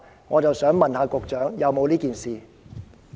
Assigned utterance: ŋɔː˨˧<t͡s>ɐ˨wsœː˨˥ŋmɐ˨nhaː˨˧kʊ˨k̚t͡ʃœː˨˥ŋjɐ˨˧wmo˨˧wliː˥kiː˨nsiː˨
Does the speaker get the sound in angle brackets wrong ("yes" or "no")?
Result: no